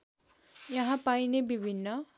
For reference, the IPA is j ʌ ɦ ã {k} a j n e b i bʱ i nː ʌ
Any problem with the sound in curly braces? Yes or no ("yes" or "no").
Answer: yes